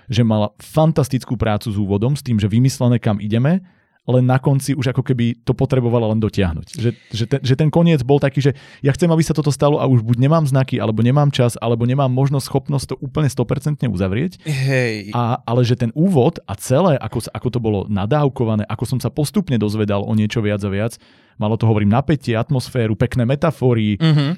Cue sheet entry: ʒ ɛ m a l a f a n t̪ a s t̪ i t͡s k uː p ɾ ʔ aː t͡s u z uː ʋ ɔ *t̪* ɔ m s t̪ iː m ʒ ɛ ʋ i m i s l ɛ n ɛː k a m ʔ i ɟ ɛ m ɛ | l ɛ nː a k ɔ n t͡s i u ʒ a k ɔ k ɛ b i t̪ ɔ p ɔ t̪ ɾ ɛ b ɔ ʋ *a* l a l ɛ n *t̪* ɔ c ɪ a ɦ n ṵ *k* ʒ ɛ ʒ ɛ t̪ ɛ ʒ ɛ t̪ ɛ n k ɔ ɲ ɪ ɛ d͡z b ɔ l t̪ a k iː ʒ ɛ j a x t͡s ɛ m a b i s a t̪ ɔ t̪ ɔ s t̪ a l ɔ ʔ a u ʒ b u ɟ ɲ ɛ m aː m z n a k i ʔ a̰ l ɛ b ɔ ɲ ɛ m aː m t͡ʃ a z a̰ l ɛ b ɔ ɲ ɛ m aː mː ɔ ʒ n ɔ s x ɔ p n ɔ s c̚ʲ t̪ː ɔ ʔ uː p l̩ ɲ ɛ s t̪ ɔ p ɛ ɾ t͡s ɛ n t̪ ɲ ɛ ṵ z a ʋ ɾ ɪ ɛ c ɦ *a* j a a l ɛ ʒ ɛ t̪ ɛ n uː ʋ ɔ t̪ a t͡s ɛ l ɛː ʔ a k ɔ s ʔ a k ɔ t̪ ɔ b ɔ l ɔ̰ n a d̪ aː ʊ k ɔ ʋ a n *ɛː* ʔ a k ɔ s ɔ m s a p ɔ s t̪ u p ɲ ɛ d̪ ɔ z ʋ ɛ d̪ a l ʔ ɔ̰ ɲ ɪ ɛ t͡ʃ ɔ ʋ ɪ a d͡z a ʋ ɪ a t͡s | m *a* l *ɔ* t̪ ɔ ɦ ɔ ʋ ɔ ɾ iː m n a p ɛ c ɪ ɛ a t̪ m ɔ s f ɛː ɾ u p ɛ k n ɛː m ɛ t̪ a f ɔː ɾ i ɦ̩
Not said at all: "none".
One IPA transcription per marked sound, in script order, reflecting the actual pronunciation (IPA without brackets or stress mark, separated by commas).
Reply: d̪, a, d̪, c, ɛ, ɛː, a, ɔ